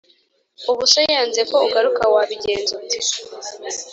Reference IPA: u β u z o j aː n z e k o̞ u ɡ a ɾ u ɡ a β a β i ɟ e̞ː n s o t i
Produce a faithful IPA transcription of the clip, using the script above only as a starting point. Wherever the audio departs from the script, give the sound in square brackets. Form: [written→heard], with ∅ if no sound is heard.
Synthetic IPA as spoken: u β u [z→s] o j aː n z e k o̞ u ɡ a ɾ u [ɡ→k] a [β→w] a β i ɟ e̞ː n [s→z] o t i